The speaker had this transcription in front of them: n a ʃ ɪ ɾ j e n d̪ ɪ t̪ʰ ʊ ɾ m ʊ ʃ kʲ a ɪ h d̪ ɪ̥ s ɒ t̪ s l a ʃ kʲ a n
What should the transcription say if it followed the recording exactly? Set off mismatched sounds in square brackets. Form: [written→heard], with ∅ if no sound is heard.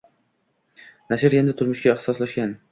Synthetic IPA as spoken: n a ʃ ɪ ɾ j e n d̪ ɪ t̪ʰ ʊ ɾ m ʊ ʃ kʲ a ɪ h [d̪→t̪] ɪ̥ s ɒ [t̪→∅] s l a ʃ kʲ a n